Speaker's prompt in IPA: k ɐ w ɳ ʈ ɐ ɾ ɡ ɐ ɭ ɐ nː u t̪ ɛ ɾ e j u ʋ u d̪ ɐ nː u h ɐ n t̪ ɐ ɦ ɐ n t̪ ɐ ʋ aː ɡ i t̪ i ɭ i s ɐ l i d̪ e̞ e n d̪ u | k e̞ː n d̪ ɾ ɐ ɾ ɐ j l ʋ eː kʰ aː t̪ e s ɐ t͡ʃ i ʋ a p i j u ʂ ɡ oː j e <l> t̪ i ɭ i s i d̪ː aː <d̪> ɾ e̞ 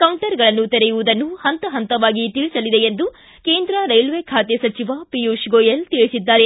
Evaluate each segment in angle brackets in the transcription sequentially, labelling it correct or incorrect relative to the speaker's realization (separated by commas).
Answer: correct, incorrect